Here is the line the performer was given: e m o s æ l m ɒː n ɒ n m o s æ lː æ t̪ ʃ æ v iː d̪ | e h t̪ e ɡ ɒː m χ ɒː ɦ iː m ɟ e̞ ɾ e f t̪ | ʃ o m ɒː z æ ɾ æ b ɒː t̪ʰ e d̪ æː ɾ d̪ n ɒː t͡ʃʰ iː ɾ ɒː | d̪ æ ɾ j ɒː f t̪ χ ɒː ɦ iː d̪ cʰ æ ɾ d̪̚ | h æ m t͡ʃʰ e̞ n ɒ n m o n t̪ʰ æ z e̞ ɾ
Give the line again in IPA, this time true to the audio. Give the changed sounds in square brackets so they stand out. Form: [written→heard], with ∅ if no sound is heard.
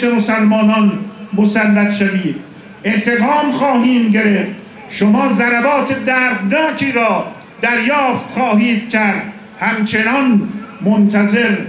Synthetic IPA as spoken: e m o s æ l m ɒː n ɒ n m o s æ lː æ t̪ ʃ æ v iː d̪ | e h t̪ e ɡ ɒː m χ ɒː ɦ iː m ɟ e̞ ɾ e f t̪ | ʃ o m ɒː z æ ɾ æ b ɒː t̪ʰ e d̪ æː ɾ d̪ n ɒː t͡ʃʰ iː ɾ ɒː | d̪ æ ɾ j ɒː f t̪ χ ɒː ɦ iː d̪ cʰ æ ɾ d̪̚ | h æ m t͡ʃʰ e̞ n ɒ n m o n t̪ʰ æ z e̞ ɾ